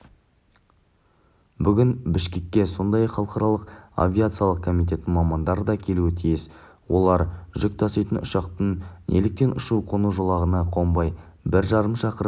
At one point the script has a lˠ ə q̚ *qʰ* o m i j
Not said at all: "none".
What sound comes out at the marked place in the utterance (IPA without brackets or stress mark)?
kʰ